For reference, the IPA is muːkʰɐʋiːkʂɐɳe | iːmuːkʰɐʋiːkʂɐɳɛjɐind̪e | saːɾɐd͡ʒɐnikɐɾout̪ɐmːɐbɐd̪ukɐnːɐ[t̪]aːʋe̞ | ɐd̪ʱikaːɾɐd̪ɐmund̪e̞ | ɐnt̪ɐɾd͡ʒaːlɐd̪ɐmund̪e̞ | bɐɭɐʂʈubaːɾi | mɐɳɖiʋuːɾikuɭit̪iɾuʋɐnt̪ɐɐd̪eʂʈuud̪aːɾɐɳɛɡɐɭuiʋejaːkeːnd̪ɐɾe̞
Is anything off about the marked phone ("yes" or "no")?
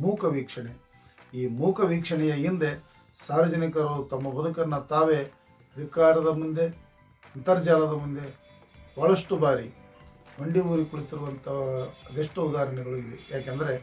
no